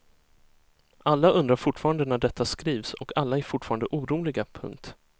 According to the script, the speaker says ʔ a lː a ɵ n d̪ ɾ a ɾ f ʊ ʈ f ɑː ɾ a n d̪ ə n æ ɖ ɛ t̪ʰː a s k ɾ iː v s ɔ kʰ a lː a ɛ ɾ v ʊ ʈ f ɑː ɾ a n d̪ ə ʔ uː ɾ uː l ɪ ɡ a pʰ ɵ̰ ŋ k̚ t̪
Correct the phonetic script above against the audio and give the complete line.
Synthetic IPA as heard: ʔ a lː a ɵ n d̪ ɾ a ɾ f ʊ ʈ f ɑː ɾ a n d̪ ə n æ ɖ ɛ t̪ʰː a s k ɾ iː v s ɔ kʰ a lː a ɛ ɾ f ʊ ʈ f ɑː ɾ a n d̪ ə ʔ uː ɾ uː l ɪ ɡ a pʰ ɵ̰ ŋ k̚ t̪